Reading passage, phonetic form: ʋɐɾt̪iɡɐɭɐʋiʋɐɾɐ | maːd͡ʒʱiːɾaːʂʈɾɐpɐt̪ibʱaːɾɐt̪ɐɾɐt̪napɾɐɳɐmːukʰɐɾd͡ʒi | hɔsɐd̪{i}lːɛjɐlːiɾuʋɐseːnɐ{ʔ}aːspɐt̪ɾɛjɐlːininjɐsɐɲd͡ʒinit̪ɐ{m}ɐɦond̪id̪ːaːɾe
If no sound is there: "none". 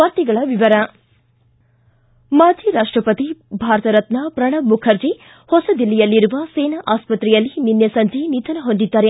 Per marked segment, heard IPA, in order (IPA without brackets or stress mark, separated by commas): i, ʔ, n